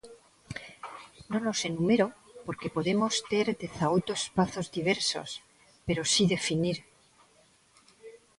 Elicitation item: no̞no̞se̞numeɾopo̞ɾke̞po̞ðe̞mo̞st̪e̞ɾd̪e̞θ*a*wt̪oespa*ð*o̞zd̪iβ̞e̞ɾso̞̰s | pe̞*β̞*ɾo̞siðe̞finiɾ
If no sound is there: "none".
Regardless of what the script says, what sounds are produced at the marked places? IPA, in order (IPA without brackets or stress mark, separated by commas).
a, θ, none